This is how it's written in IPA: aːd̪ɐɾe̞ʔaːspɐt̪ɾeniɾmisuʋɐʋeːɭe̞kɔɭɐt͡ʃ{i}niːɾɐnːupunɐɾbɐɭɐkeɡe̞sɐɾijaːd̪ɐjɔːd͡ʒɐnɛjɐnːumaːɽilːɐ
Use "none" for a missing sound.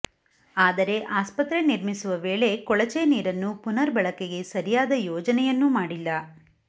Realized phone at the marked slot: e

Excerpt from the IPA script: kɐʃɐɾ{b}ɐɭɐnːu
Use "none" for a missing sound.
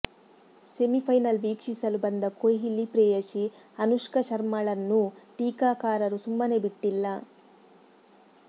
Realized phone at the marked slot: m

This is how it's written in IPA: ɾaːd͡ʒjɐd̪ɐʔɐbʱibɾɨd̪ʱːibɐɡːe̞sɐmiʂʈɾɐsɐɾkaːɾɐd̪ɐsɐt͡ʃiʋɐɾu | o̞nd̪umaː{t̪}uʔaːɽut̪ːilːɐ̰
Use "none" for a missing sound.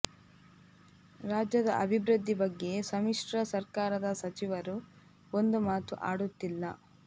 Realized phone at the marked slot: t̪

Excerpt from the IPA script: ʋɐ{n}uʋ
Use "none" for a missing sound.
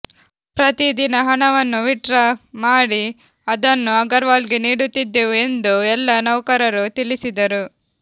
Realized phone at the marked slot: nː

